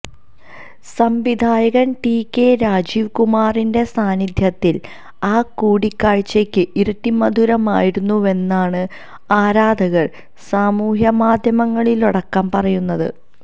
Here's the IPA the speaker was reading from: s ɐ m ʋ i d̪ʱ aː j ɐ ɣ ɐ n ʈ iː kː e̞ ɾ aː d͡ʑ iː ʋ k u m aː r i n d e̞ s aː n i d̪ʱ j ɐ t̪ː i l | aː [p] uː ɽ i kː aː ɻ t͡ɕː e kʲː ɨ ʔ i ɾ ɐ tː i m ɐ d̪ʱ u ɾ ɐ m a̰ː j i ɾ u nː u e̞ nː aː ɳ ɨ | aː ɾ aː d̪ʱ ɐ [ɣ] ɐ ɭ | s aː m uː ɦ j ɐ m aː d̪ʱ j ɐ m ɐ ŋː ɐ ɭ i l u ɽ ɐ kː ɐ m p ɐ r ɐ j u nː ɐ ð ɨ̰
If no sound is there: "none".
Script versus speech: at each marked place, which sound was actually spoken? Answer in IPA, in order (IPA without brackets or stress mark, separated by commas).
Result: k, ɣ